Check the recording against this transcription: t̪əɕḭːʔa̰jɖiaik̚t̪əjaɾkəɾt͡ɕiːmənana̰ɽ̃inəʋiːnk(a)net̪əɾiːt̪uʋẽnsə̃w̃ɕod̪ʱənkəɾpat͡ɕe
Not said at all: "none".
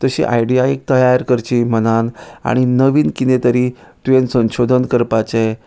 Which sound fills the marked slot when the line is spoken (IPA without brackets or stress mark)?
i